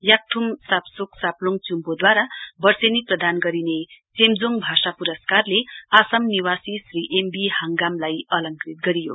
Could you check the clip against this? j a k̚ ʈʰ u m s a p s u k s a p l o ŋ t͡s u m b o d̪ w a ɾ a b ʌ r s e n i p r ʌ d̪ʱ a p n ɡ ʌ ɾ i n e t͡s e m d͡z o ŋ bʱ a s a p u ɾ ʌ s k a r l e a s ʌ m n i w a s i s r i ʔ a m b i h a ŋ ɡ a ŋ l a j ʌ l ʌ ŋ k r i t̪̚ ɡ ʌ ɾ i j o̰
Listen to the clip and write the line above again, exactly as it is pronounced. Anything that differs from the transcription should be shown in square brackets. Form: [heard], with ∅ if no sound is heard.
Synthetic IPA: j a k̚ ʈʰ u m s a p s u k s a p l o ŋ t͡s u m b o d̪ w a ɾ a b ʌ r s e n i p r ʌ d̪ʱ a [∅] n ɡ ʌ ɾ i n e t͡s e m d͡z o ŋ bʱ a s a p u ɾ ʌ s k a r l e a s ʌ m n i w a s i s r i ʔ [e] m b i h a ŋ ɡ a [m] l a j ʌ l ʌ ŋ k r i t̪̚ ɡ ʌ ɾ i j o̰